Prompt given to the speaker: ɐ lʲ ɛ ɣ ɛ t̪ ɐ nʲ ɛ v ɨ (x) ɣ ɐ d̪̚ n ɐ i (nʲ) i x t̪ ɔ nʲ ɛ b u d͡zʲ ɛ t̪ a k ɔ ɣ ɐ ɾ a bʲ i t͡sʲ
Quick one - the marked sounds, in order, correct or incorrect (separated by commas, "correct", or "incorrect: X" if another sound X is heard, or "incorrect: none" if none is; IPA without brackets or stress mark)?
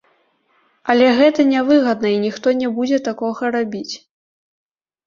incorrect: none, correct